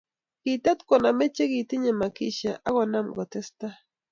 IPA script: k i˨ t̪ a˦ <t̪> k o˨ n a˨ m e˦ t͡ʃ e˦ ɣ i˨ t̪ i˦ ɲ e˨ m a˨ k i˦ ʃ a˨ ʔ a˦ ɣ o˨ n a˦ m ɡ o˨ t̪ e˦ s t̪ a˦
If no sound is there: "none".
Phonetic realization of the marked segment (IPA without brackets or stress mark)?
t̪